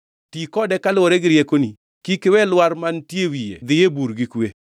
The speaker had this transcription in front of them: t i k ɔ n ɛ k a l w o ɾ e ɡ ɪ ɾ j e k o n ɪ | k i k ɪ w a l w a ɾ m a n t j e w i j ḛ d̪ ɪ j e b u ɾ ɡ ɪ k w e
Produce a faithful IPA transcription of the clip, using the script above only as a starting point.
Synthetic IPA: t i k ɔ d ɛ k a l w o ɾ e ɡ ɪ ɾ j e k o n i | k i k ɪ w ɛ l w a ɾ m a n t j e w i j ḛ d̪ ɪ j e b u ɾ ɡ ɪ k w e